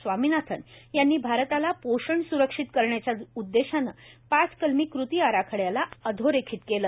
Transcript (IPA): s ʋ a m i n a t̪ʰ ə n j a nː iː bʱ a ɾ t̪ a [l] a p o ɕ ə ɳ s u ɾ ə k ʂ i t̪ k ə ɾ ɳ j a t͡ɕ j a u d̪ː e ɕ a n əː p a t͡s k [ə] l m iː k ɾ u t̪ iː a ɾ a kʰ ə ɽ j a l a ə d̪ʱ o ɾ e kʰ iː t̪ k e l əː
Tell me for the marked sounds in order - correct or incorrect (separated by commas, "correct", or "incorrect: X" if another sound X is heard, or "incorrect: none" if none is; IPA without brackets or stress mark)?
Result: correct, correct